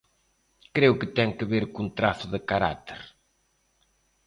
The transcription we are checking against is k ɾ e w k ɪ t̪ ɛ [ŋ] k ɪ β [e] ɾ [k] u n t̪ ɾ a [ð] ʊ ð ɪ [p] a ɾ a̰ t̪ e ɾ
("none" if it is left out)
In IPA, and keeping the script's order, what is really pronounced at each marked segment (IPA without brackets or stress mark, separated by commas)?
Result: ŋ, e, k, θ, k